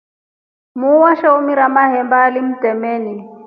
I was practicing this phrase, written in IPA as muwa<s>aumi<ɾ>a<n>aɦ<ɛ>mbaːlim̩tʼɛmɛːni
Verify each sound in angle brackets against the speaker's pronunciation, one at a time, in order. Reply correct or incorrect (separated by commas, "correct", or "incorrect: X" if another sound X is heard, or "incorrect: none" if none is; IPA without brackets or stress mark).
incorrect: ʃ, correct, incorrect: m, correct